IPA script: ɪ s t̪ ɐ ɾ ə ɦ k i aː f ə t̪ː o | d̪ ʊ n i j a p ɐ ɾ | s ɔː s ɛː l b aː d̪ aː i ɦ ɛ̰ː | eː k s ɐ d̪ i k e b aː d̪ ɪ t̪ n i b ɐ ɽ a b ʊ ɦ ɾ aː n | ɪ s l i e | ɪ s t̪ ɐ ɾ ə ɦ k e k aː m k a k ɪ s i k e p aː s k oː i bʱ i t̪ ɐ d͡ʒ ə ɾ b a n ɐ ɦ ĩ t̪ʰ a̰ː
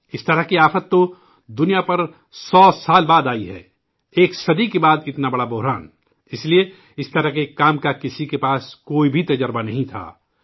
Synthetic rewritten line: ɪ s t̪ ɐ ɾ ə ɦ k i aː f ə t̪ː o | d̪ ʊ n i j a p ɐ ɾ | s ɔː s aː l b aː d̪ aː i ɦ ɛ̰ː | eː k s ɐ d̪ i k e b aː d̪ ɪ t̪ n a b ɐ ɽ a b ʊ ɦ ɾ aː n | ɪ s l i e | ɪ s t̪ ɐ ɾ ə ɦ k e k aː m k a k ɪ s i k e p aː s k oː i bʱ i t̪ ɐ d͡ʒ ə ɾ b a n ɐ ɦ ĩ t̪ʰ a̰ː